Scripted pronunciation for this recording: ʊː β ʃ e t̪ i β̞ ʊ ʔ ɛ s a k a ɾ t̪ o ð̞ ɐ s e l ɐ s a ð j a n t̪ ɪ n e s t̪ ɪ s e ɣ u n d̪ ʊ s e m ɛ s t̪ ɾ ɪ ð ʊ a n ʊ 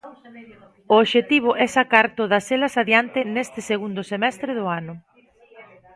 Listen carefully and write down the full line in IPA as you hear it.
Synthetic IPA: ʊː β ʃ e t̪ i β̞ ʊ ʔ ɛ s a k a ɾ t̪ o ð̞ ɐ s e l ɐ s a ð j a n t̪ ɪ n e s t̪ ɪ s e ɣ u n d̪ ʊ s e m ɛ s t̪ ɾ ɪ ð ʊ a n ʊ